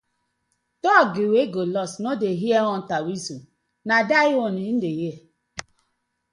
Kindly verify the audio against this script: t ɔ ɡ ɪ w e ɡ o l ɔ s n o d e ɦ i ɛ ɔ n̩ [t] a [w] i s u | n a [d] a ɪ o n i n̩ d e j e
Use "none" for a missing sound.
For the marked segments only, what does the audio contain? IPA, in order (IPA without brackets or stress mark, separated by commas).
t, w, d